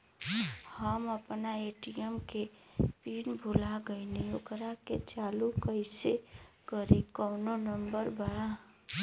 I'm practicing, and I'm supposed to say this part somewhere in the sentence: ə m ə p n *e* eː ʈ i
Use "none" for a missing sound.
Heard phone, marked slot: a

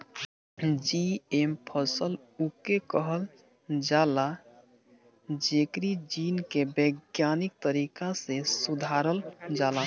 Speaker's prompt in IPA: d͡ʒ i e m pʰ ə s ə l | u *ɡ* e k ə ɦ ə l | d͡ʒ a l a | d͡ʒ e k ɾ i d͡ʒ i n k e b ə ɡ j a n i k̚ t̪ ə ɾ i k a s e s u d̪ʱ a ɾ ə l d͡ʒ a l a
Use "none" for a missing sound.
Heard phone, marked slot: k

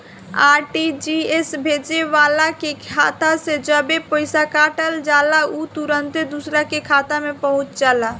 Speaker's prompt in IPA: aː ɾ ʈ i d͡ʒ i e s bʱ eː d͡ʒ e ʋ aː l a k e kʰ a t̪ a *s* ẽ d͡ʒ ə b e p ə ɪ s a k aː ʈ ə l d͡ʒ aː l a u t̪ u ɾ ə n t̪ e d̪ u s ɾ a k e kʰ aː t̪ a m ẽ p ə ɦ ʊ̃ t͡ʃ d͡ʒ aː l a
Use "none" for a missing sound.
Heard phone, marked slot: s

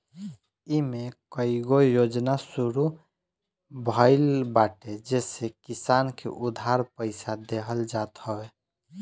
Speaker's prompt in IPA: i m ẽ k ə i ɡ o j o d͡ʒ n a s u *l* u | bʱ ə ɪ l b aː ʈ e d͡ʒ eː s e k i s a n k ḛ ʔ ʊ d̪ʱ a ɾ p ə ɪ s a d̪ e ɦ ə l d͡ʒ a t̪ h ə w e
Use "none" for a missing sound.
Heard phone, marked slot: ɾ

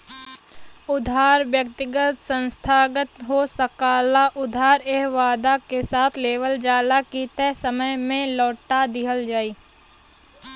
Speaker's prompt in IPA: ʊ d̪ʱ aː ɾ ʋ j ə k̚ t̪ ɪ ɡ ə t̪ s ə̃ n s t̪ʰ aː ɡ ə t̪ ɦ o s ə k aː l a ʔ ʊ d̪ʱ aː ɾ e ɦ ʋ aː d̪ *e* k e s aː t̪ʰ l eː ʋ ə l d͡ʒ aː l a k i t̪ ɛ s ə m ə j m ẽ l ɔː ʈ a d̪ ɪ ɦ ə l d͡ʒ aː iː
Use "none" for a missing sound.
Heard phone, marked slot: a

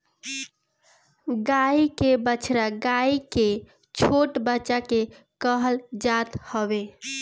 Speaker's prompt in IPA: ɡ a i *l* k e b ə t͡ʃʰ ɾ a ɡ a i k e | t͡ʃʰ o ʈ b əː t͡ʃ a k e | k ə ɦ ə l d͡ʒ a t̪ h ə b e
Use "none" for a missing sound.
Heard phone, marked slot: none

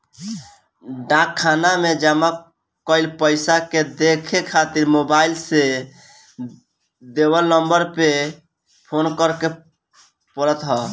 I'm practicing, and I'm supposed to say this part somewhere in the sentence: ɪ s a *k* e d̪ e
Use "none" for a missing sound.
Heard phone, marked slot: k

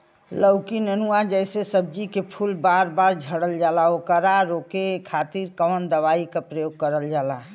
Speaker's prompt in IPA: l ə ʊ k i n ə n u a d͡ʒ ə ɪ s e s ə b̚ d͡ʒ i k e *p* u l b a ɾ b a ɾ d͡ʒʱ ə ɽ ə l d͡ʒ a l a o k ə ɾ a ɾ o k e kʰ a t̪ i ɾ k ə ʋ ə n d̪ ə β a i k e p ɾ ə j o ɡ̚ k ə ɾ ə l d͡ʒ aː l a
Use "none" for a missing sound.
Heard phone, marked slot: pʰ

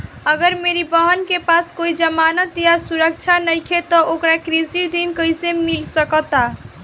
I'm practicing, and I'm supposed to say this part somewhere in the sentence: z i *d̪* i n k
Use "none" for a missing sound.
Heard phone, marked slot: d̪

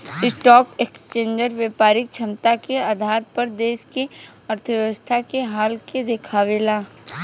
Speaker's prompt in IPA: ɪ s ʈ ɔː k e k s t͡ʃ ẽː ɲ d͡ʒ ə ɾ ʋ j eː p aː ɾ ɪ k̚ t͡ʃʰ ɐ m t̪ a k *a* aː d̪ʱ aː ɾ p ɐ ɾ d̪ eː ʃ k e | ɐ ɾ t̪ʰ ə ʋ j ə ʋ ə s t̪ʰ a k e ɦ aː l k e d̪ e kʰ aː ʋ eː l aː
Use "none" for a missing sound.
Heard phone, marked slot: e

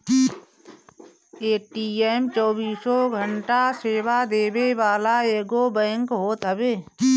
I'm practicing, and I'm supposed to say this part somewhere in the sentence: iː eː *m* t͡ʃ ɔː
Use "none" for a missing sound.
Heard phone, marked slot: m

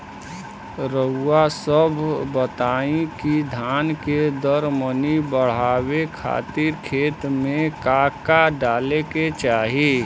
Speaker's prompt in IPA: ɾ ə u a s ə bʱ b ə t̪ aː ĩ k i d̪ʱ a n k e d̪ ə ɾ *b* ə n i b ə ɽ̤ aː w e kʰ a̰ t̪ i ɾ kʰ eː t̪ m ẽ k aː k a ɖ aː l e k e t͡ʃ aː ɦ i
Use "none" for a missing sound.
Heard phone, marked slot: m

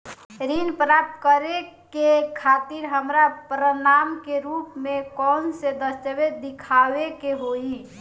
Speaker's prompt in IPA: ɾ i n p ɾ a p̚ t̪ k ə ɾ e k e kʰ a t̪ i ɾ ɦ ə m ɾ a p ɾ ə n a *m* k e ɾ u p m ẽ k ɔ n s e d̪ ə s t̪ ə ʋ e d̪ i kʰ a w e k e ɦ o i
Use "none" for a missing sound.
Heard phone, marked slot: m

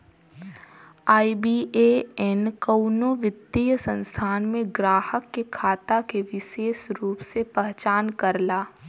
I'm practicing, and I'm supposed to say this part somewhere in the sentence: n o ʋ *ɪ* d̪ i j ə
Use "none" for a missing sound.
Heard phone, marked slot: ɪ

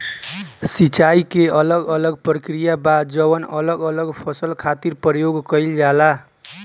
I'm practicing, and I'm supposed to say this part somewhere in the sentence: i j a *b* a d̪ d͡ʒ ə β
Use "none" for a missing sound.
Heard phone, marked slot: b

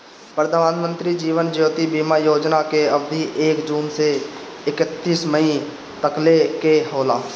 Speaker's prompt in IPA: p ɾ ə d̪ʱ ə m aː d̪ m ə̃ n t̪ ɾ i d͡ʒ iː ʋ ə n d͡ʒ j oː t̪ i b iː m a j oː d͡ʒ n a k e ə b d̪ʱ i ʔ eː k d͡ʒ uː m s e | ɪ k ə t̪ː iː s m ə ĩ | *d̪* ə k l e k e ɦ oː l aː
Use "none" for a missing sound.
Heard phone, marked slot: t̪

